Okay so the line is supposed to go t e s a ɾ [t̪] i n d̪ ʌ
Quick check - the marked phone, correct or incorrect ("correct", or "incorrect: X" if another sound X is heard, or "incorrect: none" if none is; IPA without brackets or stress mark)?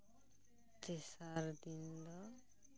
incorrect: d̪